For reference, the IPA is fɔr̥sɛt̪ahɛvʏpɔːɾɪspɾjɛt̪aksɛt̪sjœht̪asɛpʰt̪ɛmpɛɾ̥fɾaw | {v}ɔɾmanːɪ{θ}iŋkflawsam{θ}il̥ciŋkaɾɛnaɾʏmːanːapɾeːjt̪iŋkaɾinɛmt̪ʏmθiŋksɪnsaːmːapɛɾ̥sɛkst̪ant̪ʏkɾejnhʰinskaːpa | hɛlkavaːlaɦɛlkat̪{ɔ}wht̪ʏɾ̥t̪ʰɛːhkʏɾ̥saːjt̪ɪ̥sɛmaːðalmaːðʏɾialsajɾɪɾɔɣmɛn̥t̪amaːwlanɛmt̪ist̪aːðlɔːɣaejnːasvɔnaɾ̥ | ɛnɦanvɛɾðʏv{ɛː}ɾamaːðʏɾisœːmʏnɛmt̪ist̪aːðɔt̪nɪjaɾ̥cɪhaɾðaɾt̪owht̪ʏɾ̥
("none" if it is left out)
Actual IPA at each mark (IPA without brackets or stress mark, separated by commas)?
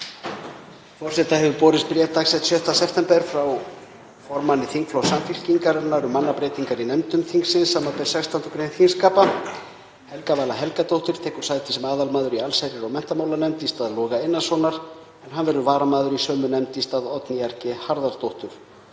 f, θ, f, o, aː